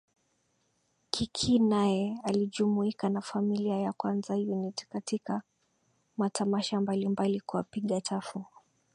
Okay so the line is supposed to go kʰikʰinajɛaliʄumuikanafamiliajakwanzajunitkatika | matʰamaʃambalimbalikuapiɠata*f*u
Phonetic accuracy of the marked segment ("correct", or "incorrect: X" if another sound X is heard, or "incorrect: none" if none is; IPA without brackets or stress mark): correct